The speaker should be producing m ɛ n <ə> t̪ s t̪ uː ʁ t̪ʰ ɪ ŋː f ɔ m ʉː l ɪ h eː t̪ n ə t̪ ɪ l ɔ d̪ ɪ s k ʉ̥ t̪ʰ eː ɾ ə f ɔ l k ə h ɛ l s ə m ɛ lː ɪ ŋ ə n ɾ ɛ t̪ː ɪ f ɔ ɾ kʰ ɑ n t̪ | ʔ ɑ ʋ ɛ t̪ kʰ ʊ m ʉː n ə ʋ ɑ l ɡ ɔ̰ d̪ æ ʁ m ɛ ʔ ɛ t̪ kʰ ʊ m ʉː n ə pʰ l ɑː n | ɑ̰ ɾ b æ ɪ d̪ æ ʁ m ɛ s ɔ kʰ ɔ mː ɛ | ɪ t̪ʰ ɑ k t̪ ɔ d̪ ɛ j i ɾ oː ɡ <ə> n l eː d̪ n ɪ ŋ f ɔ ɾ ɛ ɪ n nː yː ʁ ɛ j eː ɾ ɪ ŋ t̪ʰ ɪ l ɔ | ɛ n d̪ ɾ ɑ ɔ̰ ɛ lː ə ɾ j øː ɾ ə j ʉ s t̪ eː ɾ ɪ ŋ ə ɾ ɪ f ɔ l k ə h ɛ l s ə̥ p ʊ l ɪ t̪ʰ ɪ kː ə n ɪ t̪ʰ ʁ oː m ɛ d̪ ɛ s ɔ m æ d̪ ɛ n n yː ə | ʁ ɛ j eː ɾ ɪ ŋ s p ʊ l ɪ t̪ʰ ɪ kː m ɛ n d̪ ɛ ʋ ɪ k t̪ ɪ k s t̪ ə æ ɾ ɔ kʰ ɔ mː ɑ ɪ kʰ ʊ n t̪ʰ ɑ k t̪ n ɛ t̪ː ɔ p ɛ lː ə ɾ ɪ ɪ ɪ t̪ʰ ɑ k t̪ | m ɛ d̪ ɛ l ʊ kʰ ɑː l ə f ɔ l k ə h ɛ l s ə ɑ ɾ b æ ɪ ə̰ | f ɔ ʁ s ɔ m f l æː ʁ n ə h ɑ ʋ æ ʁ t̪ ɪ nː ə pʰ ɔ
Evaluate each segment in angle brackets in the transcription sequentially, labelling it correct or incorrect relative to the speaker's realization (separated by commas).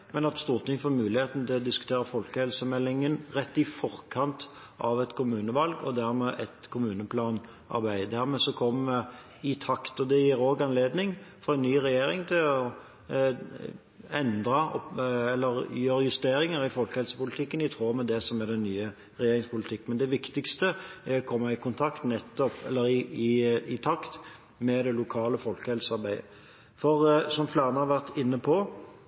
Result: incorrect, incorrect